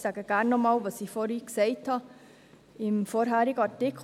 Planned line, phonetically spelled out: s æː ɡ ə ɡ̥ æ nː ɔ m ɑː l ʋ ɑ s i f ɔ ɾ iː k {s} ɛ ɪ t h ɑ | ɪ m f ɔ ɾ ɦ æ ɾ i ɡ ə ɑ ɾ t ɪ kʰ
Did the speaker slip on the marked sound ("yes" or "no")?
no